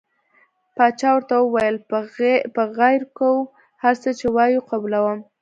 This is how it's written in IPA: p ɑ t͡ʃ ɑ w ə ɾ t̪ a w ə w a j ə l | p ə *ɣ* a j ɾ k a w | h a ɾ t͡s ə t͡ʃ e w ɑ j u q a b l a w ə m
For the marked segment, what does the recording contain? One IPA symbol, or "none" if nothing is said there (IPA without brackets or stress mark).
ɣ